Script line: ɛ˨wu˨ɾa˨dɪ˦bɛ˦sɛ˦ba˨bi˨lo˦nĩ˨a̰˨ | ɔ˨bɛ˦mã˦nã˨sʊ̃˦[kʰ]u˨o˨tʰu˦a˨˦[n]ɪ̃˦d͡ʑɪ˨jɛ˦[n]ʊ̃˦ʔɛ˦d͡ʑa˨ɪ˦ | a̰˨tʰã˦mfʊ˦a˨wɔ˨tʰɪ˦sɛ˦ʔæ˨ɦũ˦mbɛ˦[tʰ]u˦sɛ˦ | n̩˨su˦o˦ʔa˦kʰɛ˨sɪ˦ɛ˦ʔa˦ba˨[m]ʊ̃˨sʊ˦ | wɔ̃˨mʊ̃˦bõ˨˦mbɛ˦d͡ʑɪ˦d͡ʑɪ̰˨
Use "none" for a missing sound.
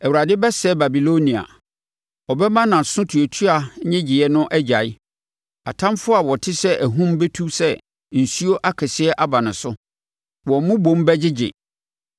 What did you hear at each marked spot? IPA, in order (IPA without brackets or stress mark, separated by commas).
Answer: tʰ, ɲ, n, tʰ, n